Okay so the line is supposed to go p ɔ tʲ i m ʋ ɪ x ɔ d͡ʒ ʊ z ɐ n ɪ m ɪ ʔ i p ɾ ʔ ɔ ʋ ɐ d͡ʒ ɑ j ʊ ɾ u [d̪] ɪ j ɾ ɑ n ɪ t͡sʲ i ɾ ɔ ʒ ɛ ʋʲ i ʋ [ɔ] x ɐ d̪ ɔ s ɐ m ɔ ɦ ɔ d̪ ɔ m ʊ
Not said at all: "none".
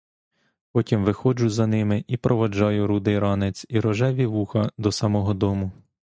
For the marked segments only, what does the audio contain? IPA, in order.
d̪, u

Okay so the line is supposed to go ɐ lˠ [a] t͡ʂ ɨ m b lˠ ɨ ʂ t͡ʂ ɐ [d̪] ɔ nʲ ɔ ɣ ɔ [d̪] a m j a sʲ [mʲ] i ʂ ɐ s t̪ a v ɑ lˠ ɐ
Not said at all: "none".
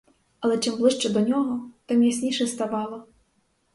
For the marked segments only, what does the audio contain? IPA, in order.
ɛ, d̪, t̪, nʲ

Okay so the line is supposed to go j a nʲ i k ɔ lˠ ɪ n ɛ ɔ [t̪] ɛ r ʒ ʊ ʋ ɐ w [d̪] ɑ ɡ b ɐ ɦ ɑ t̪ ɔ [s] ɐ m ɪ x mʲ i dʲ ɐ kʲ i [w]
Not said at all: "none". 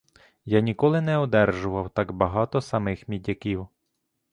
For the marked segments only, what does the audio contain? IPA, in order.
d̪, t̪, s, w

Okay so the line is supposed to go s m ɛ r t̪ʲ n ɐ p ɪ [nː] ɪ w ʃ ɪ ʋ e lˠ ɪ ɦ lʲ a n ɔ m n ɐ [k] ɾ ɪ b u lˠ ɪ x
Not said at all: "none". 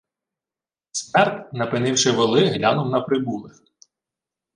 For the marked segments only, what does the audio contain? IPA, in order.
n, p

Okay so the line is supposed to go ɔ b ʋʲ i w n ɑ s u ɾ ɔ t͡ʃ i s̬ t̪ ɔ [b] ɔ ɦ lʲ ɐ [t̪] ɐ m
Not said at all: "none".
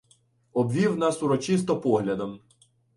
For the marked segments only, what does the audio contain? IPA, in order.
p, d̪

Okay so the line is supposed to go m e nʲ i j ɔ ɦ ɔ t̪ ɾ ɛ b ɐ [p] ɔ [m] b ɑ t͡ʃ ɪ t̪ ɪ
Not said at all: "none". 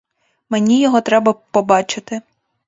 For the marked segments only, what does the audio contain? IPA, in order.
p, none

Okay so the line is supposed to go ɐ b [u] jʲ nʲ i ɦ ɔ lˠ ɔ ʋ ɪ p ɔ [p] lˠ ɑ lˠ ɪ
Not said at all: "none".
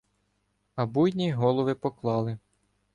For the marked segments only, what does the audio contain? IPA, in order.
u, k

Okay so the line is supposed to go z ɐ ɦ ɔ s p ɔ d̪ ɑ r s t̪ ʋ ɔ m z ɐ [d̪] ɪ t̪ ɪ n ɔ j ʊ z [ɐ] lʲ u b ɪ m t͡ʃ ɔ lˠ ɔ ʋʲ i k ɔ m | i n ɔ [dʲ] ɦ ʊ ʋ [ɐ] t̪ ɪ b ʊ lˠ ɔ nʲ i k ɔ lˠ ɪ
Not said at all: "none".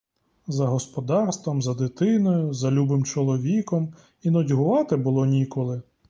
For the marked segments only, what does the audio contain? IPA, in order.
d̪, ɐ, dʲ, ɑ

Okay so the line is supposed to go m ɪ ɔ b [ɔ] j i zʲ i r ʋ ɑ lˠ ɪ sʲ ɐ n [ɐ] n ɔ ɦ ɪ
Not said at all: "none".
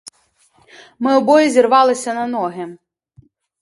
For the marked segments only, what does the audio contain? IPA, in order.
ɔ, ɐ

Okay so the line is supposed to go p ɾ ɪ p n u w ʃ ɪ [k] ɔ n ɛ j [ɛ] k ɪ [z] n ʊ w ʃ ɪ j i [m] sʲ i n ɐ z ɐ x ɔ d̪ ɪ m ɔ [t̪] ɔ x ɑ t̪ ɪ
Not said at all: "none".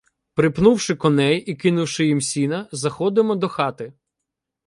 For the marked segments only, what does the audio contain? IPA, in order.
k, i, none, m, d̪

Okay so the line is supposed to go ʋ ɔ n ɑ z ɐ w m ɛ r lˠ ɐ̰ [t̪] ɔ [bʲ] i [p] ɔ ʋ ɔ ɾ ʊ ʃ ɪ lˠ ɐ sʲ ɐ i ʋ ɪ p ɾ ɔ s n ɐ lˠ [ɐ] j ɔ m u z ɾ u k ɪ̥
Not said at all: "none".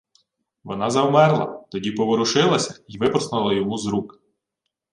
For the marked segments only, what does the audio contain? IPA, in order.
t̪, dʲ, p, ɐ

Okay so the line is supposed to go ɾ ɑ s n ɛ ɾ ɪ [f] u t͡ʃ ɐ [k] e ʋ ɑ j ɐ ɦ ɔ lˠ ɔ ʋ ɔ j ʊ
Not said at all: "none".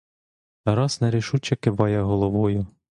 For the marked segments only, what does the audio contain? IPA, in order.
ʃ, k

